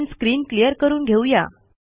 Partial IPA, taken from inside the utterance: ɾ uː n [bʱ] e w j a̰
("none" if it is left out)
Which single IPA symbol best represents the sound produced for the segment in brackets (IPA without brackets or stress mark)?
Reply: ɡʱ